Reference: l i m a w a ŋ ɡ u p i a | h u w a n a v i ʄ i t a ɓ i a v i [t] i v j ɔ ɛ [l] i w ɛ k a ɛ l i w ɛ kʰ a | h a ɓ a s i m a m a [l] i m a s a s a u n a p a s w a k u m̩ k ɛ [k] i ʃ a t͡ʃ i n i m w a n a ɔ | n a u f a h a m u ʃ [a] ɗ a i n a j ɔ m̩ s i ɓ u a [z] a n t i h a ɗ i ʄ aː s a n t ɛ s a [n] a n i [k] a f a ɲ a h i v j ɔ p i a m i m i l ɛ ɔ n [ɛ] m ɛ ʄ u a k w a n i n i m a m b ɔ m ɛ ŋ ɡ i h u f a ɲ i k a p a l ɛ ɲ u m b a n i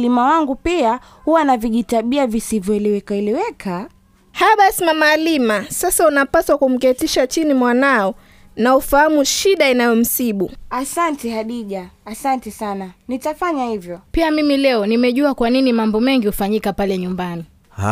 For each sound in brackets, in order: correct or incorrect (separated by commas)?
incorrect, correct, correct, incorrect, incorrect, incorrect, correct, incorrect, incorrect